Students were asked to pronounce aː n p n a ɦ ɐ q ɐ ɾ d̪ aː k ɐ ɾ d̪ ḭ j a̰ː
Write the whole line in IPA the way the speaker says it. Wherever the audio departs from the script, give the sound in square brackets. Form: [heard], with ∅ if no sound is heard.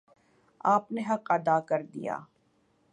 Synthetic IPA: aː [∅] p n [e] ɦ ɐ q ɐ [∅] d̪ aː k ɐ ɾ d̪ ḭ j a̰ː